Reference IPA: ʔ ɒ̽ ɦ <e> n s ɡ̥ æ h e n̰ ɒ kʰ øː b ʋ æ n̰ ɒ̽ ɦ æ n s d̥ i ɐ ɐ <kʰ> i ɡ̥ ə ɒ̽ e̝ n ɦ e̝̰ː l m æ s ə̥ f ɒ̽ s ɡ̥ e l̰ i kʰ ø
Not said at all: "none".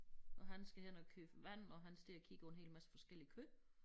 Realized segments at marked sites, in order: æ, kʰ

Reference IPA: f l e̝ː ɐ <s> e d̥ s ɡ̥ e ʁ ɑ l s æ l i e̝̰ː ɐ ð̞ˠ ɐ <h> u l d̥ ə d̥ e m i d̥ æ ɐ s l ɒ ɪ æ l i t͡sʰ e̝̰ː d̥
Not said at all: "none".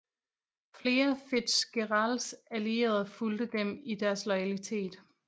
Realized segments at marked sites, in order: f, f

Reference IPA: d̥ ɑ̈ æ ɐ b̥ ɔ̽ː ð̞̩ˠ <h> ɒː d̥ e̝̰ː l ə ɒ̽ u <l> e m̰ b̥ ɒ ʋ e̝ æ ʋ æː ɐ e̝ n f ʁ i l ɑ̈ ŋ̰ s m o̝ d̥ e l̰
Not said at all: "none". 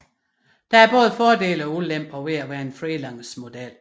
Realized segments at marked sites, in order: f, l

